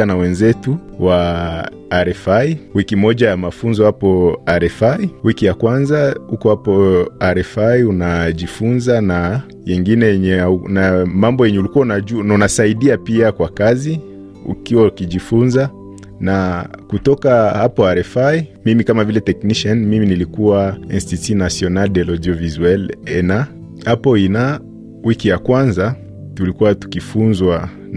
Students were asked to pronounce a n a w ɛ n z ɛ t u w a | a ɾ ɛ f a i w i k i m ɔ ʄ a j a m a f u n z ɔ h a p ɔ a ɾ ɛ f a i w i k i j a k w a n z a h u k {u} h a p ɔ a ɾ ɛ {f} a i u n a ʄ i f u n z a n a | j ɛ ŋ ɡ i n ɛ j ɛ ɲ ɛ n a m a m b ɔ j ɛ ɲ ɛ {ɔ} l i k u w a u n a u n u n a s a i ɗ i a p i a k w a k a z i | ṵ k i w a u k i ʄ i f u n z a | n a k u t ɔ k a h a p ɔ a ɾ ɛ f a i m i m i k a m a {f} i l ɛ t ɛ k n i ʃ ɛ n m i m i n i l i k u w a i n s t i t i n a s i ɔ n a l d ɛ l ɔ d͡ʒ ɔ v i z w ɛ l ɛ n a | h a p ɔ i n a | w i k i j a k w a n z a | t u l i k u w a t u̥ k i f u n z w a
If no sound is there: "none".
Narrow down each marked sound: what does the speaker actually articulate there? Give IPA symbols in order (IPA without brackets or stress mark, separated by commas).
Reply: ɔ, f, u, v